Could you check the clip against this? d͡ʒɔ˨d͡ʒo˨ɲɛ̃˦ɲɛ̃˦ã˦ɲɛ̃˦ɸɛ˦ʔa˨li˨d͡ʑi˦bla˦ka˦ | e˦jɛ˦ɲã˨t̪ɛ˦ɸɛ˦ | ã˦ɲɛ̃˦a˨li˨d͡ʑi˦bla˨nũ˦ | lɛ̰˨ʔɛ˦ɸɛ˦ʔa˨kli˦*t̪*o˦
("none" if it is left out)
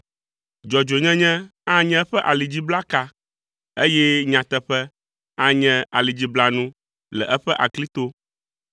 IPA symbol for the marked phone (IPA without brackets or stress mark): t̪